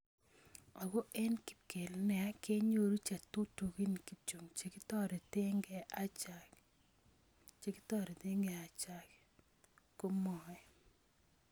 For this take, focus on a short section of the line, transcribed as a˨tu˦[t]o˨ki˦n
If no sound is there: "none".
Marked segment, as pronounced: t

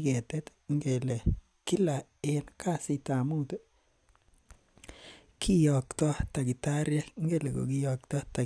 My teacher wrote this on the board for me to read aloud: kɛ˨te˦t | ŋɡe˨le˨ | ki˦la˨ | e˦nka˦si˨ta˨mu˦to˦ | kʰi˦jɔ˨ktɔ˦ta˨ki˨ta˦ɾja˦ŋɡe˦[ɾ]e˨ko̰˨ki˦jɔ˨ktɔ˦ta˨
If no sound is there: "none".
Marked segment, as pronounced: l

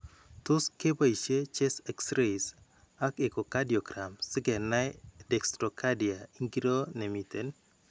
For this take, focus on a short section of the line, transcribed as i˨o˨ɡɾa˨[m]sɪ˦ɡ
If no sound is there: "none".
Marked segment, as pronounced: m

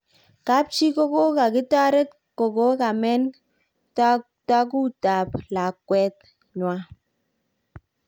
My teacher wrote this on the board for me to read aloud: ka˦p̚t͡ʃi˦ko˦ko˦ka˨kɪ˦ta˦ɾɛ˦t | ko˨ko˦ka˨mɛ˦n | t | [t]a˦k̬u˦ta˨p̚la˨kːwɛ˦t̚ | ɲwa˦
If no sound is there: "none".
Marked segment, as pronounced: t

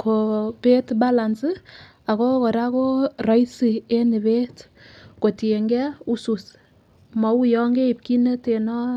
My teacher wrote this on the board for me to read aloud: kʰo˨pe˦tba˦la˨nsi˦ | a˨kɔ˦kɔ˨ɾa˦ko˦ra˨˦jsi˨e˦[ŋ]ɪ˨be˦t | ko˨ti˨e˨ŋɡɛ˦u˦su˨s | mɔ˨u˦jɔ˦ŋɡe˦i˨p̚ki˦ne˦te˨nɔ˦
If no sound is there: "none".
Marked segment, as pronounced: n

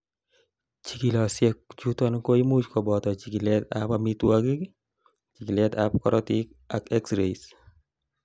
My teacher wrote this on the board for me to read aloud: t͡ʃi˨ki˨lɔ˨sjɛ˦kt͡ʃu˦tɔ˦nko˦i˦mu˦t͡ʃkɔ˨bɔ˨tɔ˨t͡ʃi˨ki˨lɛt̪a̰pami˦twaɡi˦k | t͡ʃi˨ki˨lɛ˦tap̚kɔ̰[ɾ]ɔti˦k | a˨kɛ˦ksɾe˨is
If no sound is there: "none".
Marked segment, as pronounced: ɾ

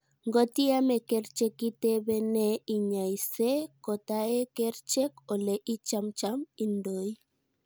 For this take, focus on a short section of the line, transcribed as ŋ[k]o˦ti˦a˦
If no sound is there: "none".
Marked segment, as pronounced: ɡ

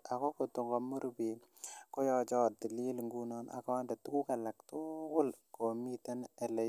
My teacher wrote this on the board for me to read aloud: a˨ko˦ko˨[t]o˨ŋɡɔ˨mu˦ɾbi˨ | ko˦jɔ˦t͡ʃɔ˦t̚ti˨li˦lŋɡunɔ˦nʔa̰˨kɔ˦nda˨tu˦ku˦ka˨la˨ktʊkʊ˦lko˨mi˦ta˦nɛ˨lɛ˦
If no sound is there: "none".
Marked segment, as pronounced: t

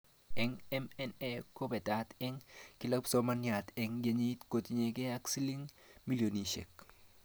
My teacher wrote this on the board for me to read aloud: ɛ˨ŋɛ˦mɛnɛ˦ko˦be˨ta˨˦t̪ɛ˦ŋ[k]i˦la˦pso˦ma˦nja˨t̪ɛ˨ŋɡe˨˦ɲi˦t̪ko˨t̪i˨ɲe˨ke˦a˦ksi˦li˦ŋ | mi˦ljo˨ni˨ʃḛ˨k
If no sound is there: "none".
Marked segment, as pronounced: k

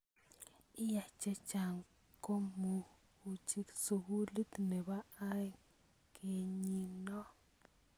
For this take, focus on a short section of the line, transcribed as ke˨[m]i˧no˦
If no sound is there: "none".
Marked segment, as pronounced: ɲ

